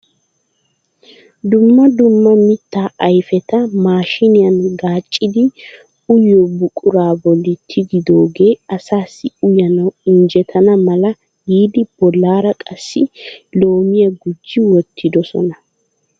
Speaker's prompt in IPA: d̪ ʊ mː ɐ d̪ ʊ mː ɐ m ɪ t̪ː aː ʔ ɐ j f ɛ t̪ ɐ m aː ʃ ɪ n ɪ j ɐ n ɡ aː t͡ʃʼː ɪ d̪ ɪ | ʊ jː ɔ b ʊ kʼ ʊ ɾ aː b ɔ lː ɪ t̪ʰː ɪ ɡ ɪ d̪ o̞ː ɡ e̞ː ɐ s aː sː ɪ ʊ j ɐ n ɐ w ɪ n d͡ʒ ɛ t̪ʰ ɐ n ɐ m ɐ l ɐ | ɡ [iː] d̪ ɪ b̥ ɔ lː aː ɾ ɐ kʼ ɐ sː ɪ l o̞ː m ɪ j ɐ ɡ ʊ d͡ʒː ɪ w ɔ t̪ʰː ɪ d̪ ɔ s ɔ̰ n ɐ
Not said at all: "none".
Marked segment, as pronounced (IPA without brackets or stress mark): iː